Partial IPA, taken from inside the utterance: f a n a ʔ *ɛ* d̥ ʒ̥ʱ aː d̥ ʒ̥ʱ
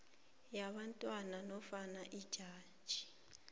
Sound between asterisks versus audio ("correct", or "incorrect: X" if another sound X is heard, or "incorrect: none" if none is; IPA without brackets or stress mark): incorrect: i